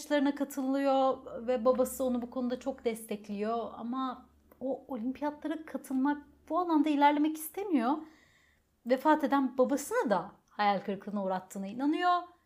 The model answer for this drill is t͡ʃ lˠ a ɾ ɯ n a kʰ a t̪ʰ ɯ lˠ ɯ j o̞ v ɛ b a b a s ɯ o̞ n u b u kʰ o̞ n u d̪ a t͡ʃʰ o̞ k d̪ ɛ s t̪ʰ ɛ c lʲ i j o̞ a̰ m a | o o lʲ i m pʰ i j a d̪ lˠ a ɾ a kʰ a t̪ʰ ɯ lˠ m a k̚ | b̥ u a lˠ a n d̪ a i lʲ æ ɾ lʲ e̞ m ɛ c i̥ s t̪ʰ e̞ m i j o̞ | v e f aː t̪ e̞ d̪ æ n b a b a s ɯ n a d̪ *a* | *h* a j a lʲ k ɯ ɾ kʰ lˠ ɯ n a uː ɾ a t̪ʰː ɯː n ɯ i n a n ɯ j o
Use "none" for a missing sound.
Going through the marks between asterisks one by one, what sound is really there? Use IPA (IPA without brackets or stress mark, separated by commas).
a, h